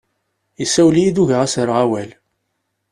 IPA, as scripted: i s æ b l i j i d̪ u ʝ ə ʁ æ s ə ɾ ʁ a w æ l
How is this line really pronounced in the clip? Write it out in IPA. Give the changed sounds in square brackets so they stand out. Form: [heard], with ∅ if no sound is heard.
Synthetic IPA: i s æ [w] l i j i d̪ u ʝ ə ʁ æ s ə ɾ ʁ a w æ l